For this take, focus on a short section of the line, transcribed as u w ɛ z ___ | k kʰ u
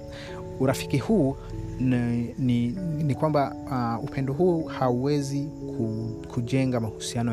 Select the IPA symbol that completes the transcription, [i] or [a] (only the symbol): i